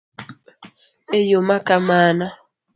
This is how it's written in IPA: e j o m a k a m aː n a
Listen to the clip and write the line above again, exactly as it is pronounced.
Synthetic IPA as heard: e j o m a k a m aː n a